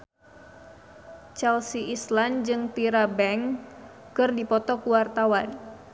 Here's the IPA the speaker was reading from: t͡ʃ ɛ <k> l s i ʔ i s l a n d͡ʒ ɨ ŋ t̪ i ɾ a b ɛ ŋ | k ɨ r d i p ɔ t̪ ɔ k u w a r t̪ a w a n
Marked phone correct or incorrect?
incorrect: none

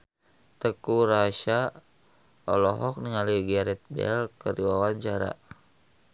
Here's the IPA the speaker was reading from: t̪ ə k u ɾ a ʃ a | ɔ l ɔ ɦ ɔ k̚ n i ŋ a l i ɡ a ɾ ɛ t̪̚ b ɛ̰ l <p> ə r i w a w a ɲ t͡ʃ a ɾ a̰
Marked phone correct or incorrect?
incorrect: k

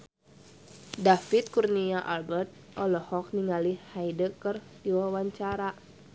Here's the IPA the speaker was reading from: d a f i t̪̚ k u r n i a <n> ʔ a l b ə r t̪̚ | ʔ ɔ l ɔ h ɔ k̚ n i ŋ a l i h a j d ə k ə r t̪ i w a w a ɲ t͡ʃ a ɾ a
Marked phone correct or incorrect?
incorrect: none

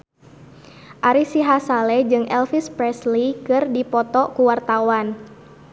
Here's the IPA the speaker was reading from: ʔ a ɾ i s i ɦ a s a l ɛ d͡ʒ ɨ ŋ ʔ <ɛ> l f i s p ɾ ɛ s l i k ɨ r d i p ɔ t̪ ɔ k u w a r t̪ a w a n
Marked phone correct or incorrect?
correct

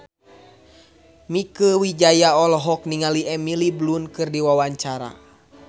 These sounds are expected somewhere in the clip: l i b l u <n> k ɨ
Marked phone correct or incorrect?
correct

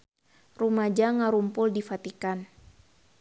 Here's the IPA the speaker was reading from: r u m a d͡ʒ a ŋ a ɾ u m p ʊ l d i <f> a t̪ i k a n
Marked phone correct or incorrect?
correct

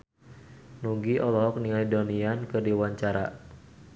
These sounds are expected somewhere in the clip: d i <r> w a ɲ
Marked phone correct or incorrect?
incorrect: none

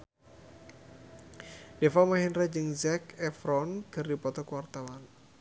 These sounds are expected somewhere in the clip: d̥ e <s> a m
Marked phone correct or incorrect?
incorrect: f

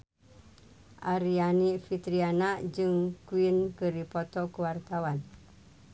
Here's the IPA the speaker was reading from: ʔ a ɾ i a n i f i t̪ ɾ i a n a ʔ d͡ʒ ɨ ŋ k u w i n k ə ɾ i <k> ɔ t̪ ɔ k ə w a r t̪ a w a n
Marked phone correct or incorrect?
incorrect: p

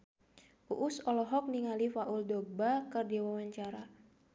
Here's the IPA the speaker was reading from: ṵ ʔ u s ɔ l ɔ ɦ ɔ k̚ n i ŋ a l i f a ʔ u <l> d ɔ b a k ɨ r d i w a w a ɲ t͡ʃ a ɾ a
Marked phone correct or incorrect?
correct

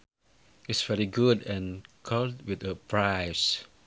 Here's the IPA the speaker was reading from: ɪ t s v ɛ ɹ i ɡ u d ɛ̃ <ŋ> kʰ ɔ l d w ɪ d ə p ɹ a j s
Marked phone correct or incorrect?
incorrect: n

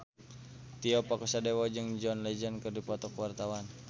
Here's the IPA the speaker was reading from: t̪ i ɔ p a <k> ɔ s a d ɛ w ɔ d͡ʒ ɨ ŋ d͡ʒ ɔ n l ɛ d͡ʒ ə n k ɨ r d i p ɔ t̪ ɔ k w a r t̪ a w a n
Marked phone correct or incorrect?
correct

